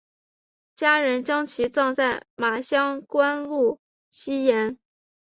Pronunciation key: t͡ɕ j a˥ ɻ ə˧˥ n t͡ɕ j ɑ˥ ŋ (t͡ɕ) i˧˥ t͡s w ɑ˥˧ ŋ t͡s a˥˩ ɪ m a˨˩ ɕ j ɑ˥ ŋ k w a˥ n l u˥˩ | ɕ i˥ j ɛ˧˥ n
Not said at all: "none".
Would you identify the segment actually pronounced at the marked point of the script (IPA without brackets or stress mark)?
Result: t͡ɕʰ